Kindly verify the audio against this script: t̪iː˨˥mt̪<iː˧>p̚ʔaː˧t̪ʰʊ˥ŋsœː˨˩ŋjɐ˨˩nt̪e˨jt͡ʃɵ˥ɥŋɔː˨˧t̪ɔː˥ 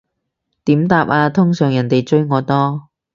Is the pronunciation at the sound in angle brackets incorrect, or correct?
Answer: incorrect